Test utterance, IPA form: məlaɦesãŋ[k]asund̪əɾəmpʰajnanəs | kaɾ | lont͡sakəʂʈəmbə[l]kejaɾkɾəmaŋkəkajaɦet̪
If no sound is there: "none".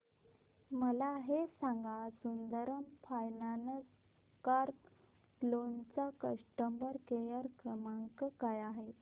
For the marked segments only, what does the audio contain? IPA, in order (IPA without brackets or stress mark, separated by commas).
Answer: ɡ, ɾ